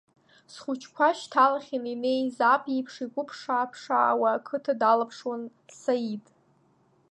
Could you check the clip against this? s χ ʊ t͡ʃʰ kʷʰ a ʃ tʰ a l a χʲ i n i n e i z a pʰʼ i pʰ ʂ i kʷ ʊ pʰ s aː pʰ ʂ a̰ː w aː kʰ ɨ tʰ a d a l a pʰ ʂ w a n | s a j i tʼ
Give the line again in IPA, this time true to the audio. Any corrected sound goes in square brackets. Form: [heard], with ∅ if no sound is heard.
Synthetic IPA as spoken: s χ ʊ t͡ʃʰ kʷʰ a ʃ tʰ a l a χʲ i n i n e [j] z a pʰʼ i pʰ ʂ i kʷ ʊ pʰ [ʂ] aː pʰ ʂ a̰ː w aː kʰ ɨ tʰ a d a l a pʰ ʂ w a n | s a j i tʼ

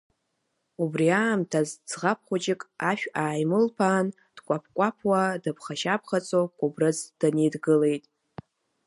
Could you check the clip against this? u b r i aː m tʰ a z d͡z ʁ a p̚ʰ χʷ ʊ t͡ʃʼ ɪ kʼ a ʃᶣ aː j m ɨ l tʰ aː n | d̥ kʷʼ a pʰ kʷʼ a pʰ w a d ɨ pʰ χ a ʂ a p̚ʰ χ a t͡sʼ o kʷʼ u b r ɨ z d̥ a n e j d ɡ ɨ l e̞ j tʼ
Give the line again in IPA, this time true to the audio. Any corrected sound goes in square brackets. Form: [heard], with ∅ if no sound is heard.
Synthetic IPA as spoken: u b r i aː m tʰ a z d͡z ʁ a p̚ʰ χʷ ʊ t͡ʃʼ ɪ kʼ a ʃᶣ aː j m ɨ l [pʰ] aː n | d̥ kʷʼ a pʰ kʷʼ a pʰ w a d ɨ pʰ χ a [ʃ] a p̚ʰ χ a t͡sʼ o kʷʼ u b r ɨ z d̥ a n e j d ɡ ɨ l e̞ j tʼ

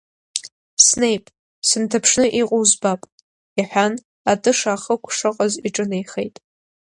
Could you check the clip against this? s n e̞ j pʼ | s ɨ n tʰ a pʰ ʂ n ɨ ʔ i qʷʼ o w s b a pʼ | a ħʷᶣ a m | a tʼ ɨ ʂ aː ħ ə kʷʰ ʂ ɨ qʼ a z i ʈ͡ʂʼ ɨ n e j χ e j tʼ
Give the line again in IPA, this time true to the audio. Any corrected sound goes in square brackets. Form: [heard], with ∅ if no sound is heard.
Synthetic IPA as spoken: s n e̞ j pʼ | s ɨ n tʰ a pʰ ʂ n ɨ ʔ i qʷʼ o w [z] b a pʼ | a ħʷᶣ a [n] | a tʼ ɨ ʂ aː [χ] ə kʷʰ ʂ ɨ qʼ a z i ʈ͡ʂʼ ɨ n e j χ e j tʼ

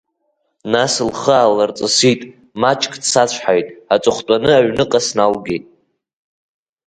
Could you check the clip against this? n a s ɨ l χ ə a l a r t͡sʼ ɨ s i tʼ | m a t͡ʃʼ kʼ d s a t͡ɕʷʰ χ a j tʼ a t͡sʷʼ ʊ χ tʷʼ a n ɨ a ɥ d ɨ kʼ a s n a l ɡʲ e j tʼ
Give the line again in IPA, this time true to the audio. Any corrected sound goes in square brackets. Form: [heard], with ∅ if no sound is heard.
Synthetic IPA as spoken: n a s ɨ l χ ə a l a r t͡sʼ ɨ s i tʼ | m a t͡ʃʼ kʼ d s a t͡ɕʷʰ [ħ] a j tʼ a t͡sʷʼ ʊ χ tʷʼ a n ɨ a ɥ [n] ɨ [qʼ] a s n a l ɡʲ e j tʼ

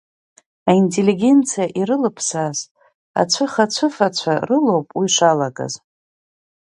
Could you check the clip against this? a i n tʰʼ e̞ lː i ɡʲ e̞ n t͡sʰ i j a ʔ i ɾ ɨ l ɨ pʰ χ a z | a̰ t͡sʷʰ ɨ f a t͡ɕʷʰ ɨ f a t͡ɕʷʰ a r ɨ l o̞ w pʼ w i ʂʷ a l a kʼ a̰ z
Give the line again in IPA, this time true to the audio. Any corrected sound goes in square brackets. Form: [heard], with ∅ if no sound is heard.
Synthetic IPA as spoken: a i n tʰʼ e̞ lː i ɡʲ e̞ n t͡sʰ i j a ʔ i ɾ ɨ l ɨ pʰ [s] a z | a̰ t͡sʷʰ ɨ [χ] a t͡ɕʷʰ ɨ f a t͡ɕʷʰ a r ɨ l o̞ w pʼ w i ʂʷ a l a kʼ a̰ z

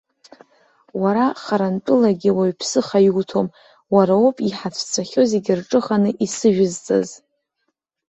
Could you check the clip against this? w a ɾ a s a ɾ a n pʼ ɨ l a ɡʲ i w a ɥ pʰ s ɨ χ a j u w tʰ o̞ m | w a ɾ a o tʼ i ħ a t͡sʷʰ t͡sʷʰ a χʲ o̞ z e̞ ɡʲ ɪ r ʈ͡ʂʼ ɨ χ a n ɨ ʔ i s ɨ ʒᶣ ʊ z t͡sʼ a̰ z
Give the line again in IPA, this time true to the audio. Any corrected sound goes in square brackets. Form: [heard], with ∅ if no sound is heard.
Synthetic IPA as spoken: w a ɾ a [χ] a ɾ a n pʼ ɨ l a ɡʲ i w a ɥ pʰ s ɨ χ a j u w tʰ o̞ m | w a ɾ a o [pʼ] i ħ a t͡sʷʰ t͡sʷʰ a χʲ o̞ z e̞ ɡʲ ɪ r ʈ͡ʂʼ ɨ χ a n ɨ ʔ i s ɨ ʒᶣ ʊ z t͡sʼ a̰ z

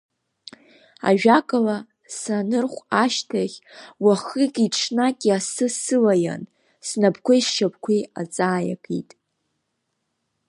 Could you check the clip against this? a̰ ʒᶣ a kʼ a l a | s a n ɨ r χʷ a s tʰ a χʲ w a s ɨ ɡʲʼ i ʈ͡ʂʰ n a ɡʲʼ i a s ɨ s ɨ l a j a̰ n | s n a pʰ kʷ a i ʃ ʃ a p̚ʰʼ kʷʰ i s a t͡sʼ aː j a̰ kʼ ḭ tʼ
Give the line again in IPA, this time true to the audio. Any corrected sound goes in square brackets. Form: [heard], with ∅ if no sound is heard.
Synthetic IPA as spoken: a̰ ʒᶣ a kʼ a l a | s a n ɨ r χʷ a [ʃ] tʰ a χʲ w a [χ] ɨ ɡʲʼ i ʈ͡ʂʰ n a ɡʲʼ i a s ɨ s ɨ l a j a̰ n | s n a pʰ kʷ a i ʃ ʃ a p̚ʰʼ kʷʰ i [∅] a t͡sʼ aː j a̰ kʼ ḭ tʼ

